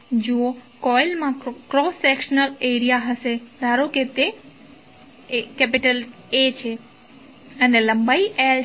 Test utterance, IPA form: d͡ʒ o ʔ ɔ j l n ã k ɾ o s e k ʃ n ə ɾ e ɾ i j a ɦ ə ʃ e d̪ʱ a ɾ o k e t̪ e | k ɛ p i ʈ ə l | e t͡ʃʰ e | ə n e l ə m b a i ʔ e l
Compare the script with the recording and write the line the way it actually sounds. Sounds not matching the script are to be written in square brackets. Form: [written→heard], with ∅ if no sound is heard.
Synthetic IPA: d͡ʒ o [ʔ→k] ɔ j l [n→m] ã k ɾ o s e k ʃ n ə [ɾ→l] e ɾ i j a ɦ ə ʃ e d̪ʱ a ɾ o k e t̪ e | k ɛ p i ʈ ə l | e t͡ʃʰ e | ə n e l ə m b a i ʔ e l